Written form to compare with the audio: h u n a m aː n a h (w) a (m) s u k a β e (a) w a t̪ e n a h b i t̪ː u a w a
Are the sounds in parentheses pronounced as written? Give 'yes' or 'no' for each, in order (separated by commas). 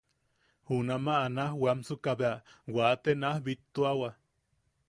yes, yes, yes